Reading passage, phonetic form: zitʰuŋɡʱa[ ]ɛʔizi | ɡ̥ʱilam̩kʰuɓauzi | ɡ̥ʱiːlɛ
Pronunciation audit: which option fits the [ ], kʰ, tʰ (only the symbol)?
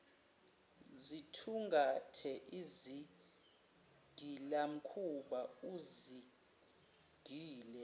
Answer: tʰ